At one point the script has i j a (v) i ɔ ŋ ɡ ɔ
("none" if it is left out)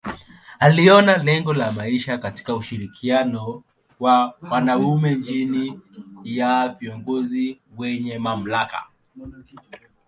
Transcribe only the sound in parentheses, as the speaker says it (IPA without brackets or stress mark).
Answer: v